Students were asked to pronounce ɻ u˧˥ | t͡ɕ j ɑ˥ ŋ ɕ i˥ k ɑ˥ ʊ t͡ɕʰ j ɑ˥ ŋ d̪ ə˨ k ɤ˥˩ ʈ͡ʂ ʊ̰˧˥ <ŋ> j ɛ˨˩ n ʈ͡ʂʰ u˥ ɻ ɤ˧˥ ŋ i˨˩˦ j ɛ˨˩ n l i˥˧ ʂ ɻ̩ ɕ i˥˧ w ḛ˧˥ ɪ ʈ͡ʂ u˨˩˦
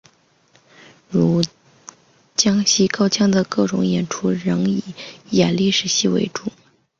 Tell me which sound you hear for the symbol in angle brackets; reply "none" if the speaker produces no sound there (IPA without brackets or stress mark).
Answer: ŋ